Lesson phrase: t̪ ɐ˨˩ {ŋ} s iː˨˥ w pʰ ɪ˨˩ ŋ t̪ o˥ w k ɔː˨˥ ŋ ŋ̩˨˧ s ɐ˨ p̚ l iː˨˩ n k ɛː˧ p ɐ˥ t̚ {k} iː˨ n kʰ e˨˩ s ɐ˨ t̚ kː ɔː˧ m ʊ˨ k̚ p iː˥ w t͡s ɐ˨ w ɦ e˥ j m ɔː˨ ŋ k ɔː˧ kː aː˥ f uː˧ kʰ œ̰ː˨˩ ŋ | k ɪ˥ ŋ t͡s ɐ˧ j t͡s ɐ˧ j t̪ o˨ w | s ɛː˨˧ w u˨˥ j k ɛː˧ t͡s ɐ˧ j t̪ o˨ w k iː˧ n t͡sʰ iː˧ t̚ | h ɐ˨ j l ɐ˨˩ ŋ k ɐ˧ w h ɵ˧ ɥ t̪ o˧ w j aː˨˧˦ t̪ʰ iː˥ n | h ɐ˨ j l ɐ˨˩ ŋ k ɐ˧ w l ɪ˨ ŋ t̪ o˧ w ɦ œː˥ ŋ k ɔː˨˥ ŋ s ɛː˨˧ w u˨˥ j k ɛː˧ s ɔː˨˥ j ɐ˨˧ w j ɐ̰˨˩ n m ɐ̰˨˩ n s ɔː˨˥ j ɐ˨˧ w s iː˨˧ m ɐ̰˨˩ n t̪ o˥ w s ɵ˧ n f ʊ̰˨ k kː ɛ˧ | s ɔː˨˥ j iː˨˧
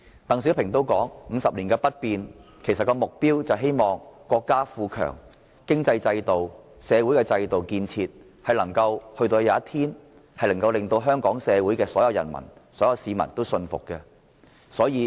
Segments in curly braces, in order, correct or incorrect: correct, incorrect: p

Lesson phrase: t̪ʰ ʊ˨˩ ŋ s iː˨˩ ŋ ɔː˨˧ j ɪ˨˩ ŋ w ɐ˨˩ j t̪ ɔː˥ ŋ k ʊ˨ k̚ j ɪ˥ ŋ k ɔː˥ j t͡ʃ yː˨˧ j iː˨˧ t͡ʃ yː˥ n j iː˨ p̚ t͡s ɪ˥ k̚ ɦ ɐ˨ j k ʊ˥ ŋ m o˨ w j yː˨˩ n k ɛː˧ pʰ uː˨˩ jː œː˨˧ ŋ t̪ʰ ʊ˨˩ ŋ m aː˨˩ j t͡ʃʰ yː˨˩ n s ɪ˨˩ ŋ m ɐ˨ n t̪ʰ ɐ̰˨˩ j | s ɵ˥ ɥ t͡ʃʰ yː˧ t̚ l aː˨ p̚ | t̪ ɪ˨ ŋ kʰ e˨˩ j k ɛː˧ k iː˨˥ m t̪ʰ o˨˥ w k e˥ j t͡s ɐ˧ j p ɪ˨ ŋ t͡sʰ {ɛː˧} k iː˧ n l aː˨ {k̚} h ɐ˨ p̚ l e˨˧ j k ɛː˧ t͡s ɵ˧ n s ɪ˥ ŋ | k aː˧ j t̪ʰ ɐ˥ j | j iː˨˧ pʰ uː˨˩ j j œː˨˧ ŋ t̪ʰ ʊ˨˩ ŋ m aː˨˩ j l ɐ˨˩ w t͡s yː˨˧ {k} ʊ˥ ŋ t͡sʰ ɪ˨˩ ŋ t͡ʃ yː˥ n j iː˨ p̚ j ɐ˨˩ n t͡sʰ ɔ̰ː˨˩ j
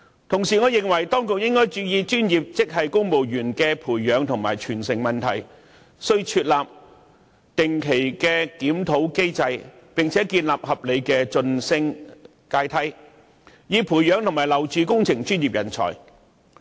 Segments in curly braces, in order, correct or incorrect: incorrect: ɛː˨˥, incorrect: p̚, correct

